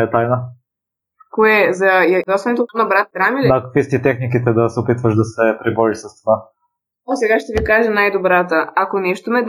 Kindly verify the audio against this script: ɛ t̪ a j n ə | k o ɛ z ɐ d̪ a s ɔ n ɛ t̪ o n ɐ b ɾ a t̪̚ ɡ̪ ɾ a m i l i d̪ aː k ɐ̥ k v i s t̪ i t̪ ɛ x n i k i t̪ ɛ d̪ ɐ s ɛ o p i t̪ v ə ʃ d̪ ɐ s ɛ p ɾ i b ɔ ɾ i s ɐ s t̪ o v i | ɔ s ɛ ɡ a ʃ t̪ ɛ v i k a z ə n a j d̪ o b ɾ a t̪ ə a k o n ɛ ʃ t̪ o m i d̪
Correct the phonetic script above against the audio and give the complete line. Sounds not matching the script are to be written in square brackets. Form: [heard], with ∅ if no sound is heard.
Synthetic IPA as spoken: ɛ t̪ a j n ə | k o ɛ z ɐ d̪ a s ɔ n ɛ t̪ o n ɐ b ɾ a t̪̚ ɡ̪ ɾ a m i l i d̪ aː k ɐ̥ k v i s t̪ i t̪ ɛ x n i k i t̪ ɛ d̪ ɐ s ɛ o p i t̪ v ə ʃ d̪ ɐ s ɛ p ɾ i b ɔ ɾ i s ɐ s t̪ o v [a] | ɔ s ɛ ɡ a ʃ t̪ ɛ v i k a [ʒ] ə n a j d̪ o b ɾ a t̪ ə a k o n ɛ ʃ t̪ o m [ɛ] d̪